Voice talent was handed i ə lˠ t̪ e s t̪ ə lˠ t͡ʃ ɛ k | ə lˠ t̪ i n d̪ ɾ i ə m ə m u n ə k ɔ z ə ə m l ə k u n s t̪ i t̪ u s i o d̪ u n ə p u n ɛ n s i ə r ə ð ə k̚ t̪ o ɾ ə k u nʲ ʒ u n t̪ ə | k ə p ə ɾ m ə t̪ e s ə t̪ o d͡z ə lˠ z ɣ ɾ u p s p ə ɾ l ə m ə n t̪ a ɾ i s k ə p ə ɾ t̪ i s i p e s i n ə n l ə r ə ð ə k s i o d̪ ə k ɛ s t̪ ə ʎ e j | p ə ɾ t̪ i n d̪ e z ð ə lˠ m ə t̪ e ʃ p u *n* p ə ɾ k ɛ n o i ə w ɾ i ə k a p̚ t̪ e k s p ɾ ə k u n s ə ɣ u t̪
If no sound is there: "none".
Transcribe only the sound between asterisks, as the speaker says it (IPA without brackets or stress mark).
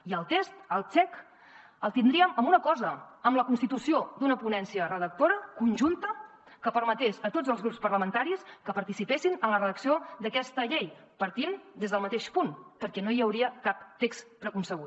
n